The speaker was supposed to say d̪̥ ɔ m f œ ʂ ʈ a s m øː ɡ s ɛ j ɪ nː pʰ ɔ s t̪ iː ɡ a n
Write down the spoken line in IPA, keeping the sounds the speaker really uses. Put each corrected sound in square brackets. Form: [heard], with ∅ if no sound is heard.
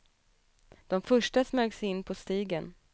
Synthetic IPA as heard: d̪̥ ɔ m f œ ʂ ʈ a s m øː ɡ s ɛ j ɪ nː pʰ ɔ s t̪ iː ɡ [ə] n